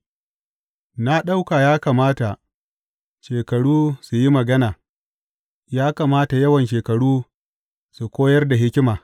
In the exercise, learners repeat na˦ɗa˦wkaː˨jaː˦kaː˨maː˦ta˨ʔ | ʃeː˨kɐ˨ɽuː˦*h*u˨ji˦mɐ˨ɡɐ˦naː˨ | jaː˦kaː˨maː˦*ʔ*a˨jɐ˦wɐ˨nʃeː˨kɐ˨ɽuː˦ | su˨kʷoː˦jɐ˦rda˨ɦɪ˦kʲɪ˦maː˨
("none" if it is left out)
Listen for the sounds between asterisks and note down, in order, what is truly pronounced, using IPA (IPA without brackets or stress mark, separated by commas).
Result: s, t